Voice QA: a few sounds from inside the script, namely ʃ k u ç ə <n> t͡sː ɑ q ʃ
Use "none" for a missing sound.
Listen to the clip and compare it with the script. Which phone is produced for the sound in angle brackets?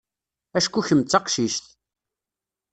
m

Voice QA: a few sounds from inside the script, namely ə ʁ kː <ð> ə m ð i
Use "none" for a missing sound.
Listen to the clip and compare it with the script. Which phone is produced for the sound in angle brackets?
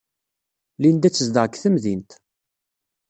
θ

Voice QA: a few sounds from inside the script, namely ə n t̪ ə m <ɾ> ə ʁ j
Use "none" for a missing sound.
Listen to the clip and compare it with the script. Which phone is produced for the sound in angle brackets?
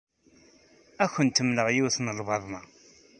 l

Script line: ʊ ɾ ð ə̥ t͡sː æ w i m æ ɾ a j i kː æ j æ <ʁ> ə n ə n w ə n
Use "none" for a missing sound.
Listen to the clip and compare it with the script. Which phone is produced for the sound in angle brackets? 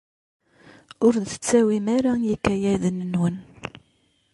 ð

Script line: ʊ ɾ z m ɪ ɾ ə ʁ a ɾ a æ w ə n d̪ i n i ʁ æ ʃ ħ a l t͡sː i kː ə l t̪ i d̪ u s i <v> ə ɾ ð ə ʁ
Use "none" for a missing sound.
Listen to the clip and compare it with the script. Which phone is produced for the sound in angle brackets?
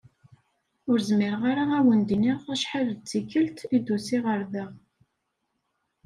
ʁ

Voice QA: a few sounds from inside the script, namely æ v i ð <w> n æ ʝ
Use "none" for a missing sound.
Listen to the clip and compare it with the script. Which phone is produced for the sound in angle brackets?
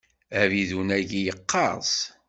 u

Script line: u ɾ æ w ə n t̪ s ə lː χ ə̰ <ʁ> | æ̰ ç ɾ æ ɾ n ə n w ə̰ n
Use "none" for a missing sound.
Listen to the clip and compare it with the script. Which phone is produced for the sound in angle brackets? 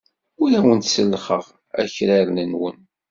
ʁ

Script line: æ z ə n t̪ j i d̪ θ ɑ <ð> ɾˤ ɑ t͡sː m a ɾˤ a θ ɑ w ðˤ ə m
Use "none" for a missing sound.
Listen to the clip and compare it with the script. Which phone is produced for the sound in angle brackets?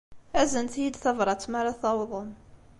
v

